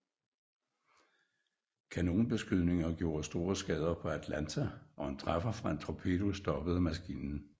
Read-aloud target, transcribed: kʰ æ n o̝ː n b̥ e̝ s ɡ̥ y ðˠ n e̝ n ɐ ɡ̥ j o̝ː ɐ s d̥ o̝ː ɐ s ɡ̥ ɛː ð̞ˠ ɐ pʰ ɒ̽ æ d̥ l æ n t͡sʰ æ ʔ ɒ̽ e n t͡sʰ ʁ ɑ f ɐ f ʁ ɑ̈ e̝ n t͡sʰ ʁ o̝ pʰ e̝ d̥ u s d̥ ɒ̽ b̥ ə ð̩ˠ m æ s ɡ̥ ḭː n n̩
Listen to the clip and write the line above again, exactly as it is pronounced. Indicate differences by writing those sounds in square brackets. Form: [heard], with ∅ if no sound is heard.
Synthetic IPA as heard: kʰ æ n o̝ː n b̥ e̝ s ɡ̥ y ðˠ n e̝ [ŋ] ɐ ɡ̥ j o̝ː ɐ s d̥ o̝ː ɐ s ɡ̥ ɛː ð̞ˠ ɐ pʰ ɒ̽ æ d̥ l æ n t͡sʰ æ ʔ ɒ̽ e n t͡sʰ ʁ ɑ f ɐ f ʁ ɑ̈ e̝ n t͡sʰ ʁ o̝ pʰ e̝ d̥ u s d̥ ɒ̽ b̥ ə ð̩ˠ m æ s ɡ̥ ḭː n n̩

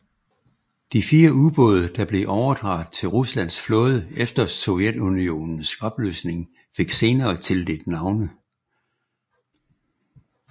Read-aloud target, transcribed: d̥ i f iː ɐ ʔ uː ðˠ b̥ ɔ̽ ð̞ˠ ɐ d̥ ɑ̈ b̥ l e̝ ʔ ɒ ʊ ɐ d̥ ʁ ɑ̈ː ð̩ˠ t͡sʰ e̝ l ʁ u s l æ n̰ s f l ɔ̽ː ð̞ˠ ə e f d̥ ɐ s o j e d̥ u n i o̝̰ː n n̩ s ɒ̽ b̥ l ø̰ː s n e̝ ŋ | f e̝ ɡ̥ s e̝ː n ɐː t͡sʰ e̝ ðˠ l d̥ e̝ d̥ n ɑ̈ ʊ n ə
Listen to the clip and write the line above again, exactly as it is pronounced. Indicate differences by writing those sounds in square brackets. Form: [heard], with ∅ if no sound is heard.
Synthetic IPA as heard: d̥ i f iː ɐ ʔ [u] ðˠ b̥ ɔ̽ ð̞ˠ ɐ d̥ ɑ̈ b̥ l e̝ ʔ ɒ ʊ ɐ d̥ ʁ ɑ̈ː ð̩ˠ t͡sʰ e̝ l ʁ u s l æ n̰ s f l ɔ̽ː ð̞ˠ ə e f d̥ ɐ s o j e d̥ u n i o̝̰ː n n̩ s ɒ̽ b̥ l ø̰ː s n e̝ ŋ | f e̝ ɡ̥ s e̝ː n ɐː t͡sʰ e̝ [∅] l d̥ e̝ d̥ n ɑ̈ ʊ n ə

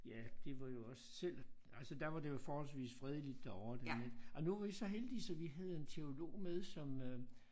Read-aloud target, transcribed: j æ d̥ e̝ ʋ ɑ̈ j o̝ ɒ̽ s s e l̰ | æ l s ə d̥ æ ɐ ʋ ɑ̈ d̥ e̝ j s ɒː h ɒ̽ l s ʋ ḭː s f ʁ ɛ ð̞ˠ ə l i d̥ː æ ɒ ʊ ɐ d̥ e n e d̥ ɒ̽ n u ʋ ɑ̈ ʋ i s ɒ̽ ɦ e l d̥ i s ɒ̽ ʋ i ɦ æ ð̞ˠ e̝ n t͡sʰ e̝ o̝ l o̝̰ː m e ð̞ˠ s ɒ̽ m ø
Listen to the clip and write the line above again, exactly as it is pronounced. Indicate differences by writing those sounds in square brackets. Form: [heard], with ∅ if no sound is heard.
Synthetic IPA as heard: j æ d̥ e̝ ʋ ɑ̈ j o̝ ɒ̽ s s e l̰ | æ l s ə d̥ æ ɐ ʋ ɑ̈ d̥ e̝ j [f] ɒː h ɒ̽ l s ʋ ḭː s f ʁ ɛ ð̞ˠ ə l i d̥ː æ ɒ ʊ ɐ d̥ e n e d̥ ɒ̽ n u ʋ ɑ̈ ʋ i s ɒ̽ ɦ e l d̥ i s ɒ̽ ʋ i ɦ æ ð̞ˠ e̝ n t͡sʰ e̝ o̝ l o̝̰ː m e ð̞ˠ s ɒ̽ m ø

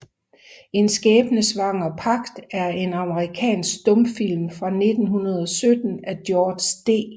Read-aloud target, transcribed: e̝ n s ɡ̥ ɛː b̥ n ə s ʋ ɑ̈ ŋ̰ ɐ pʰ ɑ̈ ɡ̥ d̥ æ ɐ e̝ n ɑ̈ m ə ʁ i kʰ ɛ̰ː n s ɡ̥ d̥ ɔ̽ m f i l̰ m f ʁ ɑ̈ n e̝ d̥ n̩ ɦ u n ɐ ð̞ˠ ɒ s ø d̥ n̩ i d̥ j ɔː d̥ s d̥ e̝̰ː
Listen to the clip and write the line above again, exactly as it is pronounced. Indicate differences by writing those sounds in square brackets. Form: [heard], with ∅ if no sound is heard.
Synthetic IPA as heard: e̝ n s ɡ̥ ɛː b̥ n ə s ʋ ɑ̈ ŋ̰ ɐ pʰ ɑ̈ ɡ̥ d̥ æ ɐ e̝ n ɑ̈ m ə ʁ i kʰ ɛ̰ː n s ɡ̥ d̥ ɔ̽ m f i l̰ m f ʁ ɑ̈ n e̝ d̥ n̩ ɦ u n ɐ ð̞ˠ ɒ s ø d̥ n̩ [æ] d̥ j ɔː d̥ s d̥ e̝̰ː

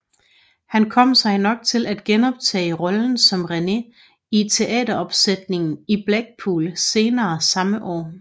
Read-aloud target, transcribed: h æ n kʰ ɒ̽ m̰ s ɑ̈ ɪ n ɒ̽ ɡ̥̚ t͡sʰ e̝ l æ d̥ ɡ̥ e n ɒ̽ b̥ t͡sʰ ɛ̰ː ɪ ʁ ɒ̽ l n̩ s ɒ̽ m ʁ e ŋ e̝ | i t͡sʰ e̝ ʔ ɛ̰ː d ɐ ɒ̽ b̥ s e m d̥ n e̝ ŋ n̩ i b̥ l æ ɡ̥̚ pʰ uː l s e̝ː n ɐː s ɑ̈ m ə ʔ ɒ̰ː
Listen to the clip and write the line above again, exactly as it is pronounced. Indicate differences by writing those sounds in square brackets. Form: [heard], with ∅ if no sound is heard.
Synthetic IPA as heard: h æ n kʰ ɒ̽ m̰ s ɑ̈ ɪ n ɒ̽ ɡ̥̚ t͡sʰ e̝ l æ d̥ ɡ̥ e n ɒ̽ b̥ t͡sʰ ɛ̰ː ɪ ʁ ɒ̽ l n̩ s ɒ̽ m ʁ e [n] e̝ | i t͡sʰ e̝ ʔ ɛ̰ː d ɐ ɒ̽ b̥ s e [∅] d̥ n e̝ ŋ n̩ i b̥ l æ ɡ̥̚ pʰ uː l s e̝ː n ɐː s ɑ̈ m ə ʔ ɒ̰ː

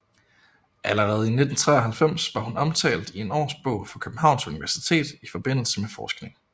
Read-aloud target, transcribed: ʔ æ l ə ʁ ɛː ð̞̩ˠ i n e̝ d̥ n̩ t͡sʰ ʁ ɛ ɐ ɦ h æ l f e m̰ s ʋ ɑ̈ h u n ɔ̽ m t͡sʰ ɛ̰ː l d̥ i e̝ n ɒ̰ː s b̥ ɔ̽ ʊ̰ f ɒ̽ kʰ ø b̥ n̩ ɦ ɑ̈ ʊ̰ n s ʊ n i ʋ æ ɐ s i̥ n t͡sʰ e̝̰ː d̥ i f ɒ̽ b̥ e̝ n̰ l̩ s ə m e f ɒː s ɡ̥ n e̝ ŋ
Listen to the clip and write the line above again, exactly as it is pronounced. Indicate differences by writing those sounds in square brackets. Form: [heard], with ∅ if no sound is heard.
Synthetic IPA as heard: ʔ æ l ə ʁ ɛː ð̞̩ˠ i n e̝ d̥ n̩ t͡sʰ ʁ ɛ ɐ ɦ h æ l f e m̰ s ʋ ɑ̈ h u n [ɒ̽] m t͡sʰ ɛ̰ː l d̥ i e̝ n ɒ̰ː s b̥ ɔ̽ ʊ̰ f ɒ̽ kʰ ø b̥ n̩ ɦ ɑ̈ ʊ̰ n s [u] n i ʋ æ ɐ s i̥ [∅] t͡sʰ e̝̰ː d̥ i f ɒ̽ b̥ e̝ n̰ l̩ s ə m e f ɒː s ɡ̥ n e̝ ŋ

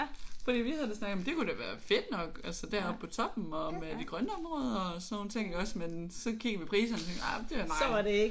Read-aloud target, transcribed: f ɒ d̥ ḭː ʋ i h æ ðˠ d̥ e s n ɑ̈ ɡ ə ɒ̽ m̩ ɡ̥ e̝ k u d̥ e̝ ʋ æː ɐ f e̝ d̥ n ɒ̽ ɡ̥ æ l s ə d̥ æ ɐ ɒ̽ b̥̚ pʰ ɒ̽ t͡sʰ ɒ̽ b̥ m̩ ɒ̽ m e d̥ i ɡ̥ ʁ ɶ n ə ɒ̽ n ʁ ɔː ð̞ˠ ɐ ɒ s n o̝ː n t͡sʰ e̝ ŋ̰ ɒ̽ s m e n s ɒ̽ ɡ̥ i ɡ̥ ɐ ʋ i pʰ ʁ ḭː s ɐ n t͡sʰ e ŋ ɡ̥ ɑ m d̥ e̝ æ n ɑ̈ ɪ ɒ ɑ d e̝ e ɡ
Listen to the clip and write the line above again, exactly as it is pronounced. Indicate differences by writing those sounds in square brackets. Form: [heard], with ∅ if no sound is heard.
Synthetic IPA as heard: f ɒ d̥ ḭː ʋ i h æ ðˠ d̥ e s n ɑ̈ ɡ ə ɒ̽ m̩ [d̥] e̝ k u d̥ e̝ ʋ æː ɐ f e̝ d̥ n ɒ̽ ɡ̥ æ l s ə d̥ æ ɐ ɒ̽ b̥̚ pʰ ɒ̽ t͡sʰ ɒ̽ b̥ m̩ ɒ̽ m e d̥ i ɡ̥ ʁ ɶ n ə ɒ̽ [m] ʁ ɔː ð̞ˠ ɐ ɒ s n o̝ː n t͡sʰ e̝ ŋ̰ ɒ̽ s m e n s ɒ̽ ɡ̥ i ɡ̥ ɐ ʋ i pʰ ʁ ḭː s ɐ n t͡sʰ e ŋ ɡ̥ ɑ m d̥ e̝ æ n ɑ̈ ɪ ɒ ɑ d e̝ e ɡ

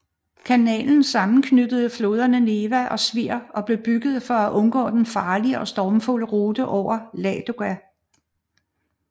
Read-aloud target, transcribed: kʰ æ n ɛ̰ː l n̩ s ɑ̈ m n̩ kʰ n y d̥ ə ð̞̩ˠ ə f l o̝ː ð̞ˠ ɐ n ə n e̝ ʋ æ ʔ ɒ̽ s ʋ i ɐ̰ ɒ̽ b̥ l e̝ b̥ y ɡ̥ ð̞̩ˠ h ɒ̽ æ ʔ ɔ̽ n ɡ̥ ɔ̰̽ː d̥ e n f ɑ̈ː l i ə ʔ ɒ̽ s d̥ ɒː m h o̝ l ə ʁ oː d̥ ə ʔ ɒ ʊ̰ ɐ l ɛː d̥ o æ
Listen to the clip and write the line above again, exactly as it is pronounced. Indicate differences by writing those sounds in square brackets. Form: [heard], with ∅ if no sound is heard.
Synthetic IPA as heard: kʰ æ n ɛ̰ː l n̩ s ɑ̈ m n̩ kʰ n y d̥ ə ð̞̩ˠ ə f l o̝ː ð̞ˠ ɐ n ə n e̝ ʋ æ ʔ ɒ̽ s ʋ i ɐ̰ ɒ̽ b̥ l e̝ b̥ y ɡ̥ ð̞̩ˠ [f] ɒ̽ æ ʔ ɔ̽ n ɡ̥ ɔ̰̽ː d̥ e n f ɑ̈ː l i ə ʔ ɒ̽ s d̥ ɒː m [f] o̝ l ə ʁ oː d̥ ə ʔ ɒ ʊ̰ ɐ l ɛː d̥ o æ

